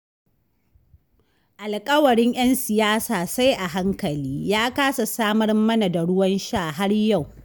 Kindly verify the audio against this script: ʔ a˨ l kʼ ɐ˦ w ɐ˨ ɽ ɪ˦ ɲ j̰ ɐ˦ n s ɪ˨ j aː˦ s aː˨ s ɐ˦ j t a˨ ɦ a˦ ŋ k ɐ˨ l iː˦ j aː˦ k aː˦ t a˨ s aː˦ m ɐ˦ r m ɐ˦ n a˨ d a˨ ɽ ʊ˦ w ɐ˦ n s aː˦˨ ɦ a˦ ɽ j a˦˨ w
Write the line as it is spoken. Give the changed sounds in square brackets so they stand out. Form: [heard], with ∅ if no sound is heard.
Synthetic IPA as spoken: ʔ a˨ l kʼ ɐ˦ w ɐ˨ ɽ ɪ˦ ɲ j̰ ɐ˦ n s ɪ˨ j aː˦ s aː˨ s [a˦] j [ʔ] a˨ ɦ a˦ ŋ k ɐ˨ l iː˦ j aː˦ k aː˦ [s] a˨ s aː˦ m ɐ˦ r m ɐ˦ n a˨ d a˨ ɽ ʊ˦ w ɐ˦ n [ʃ] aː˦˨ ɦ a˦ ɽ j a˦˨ w